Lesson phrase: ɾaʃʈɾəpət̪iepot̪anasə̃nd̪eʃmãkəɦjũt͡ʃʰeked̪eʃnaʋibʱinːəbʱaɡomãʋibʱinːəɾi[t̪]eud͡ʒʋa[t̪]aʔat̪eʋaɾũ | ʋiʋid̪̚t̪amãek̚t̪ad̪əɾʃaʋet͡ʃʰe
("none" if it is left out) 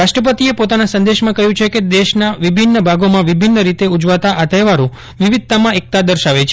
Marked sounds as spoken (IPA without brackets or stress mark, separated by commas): t̪, t̪